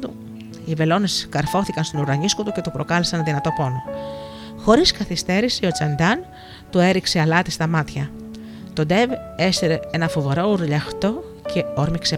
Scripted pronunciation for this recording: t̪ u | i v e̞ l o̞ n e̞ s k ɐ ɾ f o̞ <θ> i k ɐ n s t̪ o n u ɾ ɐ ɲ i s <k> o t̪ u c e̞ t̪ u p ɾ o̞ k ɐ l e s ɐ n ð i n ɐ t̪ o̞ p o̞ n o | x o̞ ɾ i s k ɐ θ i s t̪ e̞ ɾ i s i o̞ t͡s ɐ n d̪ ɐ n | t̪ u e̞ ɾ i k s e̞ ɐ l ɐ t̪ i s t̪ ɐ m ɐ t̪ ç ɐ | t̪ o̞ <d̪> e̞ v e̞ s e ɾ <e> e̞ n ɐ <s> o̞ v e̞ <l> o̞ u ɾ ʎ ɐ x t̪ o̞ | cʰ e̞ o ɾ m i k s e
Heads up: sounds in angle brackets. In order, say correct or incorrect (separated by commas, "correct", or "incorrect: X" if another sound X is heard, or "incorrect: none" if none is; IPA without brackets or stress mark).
correct, correct, correct, correct, incorrect: f, incorrect: ɾ